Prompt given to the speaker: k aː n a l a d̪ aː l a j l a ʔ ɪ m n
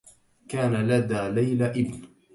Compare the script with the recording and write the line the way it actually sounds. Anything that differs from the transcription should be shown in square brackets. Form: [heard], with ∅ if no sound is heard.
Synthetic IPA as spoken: k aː n a l a d̪ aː l a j l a ʔ ɪ [b] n

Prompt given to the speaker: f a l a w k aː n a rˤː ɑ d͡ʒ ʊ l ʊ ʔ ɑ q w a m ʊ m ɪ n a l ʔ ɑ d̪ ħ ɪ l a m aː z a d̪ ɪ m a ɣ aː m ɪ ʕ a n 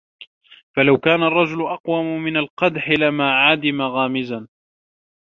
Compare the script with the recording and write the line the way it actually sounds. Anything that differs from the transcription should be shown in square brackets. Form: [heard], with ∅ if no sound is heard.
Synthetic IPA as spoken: f a l a w k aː n a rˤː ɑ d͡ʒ ʊ l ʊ ʔ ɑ q w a m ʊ m ɪ n a l [q] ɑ d̪ ħ ɪ l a m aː [ʕ] a d̪ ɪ m a ɣ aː m ɪ [z] a n

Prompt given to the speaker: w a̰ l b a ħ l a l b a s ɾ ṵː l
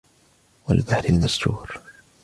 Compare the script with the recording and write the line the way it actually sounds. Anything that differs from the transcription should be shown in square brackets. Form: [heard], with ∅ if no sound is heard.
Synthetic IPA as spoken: w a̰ l b a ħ [ɾ] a l [m] a s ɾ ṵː [ɾ]

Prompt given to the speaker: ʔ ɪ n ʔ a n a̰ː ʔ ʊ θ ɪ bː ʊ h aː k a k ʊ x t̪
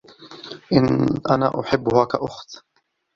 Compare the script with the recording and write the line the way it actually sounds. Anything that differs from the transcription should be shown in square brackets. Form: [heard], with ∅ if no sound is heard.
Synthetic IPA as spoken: ʔ ɪ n ʔ a n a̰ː ʔ ʊ [ħ] ɪ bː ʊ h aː k a [ʔ] ʊ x t̪

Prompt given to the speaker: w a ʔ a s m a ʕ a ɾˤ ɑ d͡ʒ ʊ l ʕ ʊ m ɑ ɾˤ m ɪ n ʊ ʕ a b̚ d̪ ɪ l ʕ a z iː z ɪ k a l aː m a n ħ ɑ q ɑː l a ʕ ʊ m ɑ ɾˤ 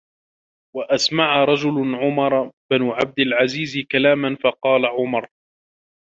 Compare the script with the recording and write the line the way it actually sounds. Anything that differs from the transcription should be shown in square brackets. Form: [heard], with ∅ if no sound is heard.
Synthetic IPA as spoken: w a ʔ a s m a ʕ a ɾˤ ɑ d͡ʒ ʊ l ʕ ʊ m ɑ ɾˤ [b] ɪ n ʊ ʕ a b̚ d̪ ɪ l ʕ a z iː z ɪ k a l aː m a n [f] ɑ q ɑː l a ʕ ʊ m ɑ ɾˤ

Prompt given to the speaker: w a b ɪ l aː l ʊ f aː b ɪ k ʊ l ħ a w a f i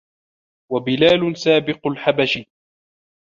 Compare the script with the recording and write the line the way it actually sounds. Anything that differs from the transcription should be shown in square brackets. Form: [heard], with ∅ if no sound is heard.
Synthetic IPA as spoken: w a b ɪ l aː l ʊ [s] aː b ɪ [q] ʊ l ħ a [b] a [ʃ] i

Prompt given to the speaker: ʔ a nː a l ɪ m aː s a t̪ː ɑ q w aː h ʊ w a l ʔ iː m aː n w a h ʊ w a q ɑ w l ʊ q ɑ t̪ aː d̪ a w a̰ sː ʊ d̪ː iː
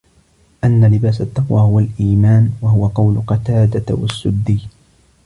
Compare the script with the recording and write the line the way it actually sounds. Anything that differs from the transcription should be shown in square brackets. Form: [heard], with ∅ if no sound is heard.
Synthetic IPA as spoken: ʔ a nː a l ɪ [b] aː s a t̪ː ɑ q w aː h ʊ w a l ʔ iː m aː n w a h ʊ w a q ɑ w l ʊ q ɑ t̪ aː d̪ a w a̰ sː ʊ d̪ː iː

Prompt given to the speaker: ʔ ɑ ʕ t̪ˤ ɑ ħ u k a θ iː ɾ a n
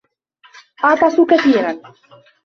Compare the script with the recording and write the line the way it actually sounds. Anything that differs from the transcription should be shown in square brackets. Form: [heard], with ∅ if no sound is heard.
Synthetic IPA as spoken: ʔ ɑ ʕ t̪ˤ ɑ [s] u k a θ iː ɾ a n

